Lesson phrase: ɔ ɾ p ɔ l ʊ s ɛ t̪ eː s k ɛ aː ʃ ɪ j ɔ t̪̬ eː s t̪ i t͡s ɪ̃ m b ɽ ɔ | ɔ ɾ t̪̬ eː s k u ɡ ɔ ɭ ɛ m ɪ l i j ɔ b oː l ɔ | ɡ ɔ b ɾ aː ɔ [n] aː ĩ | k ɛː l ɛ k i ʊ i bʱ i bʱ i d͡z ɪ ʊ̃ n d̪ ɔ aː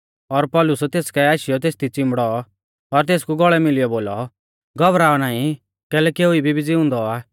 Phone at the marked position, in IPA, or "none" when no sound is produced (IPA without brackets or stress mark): n